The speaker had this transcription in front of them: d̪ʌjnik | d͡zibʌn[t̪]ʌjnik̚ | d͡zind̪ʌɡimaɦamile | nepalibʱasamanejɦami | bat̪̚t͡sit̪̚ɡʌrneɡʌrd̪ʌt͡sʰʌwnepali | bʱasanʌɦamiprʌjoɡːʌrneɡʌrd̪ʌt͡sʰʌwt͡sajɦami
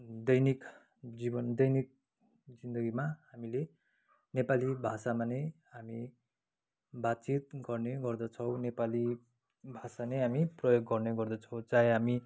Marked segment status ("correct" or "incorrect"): incorrect